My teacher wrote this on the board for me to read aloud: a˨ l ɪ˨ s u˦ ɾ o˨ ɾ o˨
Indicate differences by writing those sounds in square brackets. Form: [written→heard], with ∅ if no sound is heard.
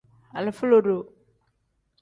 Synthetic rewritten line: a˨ l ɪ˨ [s→f] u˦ [ɾ→l] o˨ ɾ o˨